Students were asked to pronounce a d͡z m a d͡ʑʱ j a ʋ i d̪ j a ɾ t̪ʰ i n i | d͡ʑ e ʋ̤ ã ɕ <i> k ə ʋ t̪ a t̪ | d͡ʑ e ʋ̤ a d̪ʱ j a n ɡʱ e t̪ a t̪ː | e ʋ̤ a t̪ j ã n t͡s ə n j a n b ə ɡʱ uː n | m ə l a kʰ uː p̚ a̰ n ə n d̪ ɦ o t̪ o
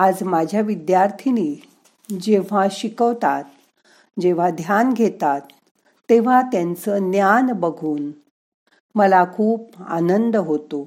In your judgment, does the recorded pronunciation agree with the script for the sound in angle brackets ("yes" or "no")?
yes